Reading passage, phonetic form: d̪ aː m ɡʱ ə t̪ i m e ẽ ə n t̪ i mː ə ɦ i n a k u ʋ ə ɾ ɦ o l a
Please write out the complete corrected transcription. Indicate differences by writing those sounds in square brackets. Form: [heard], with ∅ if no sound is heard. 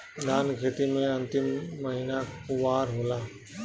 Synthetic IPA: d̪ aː [n] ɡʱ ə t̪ i m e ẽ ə n t̪ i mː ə ɦ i n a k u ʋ [a] ɾ ɦ o l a